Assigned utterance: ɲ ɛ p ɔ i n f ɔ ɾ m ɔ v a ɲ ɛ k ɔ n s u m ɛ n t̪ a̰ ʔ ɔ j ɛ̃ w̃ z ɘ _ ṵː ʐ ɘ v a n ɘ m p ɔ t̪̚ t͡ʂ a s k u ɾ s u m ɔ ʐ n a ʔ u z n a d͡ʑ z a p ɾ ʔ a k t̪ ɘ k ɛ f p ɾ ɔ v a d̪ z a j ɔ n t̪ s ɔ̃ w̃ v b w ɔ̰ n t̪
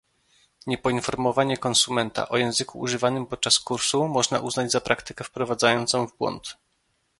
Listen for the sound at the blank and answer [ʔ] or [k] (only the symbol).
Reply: k